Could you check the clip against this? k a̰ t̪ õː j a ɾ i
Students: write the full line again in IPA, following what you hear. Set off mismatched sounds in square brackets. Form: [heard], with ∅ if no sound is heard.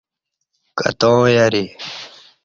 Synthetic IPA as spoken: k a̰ t̪ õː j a ɾ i

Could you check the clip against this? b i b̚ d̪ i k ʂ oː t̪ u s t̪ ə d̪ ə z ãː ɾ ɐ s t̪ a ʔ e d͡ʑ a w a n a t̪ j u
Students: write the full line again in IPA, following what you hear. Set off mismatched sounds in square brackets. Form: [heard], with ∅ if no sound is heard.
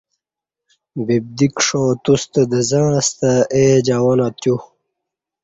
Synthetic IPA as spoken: b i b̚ d̪ i k ʂ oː t̪ u s t̪ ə d̪ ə z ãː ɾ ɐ s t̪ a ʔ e d͡ʑ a w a n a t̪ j u

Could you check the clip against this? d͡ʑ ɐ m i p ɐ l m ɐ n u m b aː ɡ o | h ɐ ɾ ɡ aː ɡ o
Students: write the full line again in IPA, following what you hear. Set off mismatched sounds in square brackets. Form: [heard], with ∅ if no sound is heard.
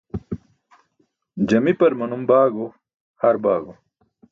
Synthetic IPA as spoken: d͡ʑ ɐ m i p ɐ [ɾ] m ɐ n u m b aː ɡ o | h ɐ ɾ [b] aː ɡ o

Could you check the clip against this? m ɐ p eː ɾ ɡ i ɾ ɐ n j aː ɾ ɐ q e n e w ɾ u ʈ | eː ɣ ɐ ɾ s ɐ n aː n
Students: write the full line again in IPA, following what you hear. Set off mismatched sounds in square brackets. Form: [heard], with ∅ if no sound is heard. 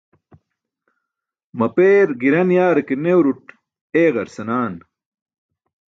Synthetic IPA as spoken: m ɐ p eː ɾ ɡ i ɾ ɐ n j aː ɾ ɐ [k] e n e w ɾ u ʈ | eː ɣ ɐ ɾ s ɐ n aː n

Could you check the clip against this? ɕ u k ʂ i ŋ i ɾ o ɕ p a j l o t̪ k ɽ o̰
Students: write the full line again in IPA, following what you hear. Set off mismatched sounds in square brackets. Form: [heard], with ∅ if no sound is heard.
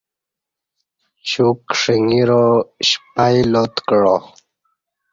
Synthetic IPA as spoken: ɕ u k ʂ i ŋ i ɾ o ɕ p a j l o t̪ k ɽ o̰

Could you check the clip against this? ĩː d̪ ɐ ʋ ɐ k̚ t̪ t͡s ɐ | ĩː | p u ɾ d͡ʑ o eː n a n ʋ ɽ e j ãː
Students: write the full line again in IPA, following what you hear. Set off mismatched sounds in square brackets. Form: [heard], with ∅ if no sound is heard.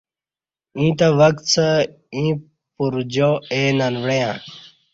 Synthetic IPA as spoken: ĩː [t̪] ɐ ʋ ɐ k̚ t̪ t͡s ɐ | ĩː | p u ɾ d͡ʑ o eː n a n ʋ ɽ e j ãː

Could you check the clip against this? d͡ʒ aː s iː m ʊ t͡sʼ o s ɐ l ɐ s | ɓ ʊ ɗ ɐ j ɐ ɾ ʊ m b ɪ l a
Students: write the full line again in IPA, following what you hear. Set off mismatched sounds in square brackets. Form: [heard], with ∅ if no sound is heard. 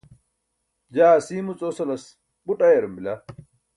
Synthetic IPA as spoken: d͡ʒ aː s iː m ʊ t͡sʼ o s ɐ l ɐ s | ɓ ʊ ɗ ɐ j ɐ ɾ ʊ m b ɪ l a

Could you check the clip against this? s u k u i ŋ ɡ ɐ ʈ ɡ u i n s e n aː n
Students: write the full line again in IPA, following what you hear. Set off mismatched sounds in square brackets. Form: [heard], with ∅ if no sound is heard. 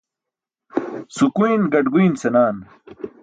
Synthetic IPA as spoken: s u k u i [n] ɡ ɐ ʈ ɡ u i n s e n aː n

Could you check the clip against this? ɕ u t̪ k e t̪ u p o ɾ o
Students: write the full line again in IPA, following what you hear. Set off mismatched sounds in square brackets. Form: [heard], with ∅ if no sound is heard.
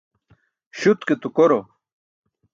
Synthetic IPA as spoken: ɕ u t̪ k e t̪ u [k] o ɾ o

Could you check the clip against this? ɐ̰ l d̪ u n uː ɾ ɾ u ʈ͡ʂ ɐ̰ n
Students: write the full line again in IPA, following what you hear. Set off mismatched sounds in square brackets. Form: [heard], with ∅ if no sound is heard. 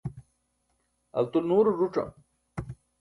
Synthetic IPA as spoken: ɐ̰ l [t̪] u n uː ɾ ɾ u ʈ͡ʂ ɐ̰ [m]

